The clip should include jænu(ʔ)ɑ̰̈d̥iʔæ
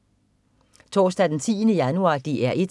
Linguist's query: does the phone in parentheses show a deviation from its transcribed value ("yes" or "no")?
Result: yes